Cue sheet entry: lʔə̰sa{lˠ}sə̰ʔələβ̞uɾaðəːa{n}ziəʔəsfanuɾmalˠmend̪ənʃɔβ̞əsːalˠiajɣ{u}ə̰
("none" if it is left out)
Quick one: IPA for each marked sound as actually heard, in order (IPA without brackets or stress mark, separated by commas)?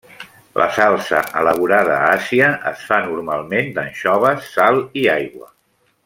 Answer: lˠ, none, w